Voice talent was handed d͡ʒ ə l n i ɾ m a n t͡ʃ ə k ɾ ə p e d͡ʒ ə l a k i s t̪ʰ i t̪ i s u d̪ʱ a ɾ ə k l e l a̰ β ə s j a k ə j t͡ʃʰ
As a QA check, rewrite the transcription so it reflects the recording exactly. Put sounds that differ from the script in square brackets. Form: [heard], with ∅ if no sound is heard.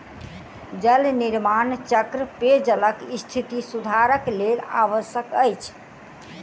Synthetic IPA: d͡ʒ ə l n i ɾ m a n t͡ʃ ə k ɾ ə p e d͡ʒ ə l [ə] k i s t̪ʰ i t̪ i s u d̪ʱ a ɾ ə k l e l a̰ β ə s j [ə] k ə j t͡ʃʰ